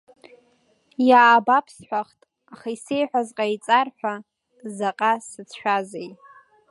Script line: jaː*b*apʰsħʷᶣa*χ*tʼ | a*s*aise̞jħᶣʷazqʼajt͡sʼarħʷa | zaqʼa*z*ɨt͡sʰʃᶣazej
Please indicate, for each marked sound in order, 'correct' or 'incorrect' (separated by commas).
correct, correct, incorrect, incorrect